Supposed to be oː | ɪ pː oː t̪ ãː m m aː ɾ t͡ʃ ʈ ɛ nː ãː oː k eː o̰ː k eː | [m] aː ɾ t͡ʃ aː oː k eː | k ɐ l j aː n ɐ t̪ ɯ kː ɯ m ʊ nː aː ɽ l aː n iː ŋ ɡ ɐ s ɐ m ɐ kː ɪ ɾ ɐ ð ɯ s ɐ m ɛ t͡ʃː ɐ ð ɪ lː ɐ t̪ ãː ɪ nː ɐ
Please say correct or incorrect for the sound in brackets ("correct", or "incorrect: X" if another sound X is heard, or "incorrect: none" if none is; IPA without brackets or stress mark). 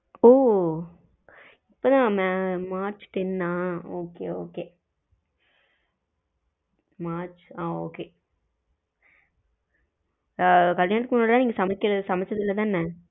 correct